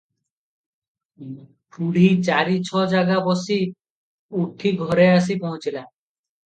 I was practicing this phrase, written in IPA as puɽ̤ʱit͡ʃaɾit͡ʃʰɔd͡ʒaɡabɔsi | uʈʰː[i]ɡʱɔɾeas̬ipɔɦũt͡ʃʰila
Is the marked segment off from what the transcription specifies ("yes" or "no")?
no